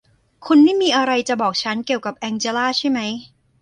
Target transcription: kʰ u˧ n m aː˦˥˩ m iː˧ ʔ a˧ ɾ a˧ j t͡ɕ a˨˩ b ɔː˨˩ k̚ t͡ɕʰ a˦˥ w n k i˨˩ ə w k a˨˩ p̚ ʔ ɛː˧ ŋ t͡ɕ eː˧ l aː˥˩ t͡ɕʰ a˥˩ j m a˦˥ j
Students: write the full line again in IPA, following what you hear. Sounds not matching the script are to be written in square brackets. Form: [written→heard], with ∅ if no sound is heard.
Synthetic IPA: kʰ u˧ n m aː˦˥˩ m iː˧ ʔ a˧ ɾ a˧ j t͡ɕ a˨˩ b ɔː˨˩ k̚ t͡ɕʰ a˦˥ [w→∅] n k i˨˩ ə w k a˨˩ p̚ ʔ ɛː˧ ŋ t͡ɕ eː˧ l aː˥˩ t͡ɕʰ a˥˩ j m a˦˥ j